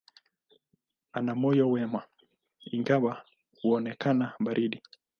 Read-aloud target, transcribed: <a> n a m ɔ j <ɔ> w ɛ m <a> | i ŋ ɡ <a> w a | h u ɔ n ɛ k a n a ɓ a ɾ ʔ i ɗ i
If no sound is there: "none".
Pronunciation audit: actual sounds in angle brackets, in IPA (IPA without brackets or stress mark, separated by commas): a, ɔ, a, a